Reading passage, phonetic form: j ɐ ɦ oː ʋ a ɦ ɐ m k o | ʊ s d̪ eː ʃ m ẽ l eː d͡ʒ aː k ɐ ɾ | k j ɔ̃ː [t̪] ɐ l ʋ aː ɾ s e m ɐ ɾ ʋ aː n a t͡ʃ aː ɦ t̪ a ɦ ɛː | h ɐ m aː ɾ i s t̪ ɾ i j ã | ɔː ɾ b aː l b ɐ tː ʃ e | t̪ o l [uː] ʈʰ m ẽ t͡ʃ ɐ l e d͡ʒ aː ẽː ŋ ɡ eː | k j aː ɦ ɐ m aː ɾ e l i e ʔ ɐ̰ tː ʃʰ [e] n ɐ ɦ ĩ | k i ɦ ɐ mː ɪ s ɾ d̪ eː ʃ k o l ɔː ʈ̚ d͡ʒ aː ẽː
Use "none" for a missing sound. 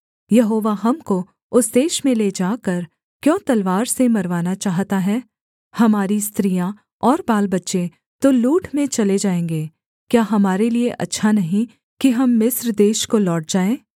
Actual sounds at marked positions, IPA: t̪, uː, a

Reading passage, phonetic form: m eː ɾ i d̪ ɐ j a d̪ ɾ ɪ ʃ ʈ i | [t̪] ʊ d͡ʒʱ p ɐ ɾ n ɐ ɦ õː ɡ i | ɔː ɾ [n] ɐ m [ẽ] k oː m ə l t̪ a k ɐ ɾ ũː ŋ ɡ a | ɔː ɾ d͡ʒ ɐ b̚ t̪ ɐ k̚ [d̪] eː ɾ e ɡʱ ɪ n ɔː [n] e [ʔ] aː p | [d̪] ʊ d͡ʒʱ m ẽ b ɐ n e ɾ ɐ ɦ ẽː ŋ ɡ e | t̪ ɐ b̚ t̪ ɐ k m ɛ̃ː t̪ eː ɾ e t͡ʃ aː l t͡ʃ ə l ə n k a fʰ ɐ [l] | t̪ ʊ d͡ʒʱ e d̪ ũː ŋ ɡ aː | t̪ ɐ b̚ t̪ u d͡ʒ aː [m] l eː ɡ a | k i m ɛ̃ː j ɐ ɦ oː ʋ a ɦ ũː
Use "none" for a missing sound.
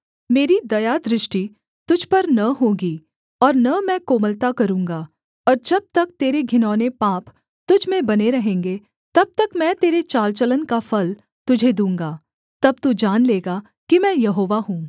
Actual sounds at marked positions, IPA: t̪, n, ɛ̃, t̪, n, p, t̪, l, n

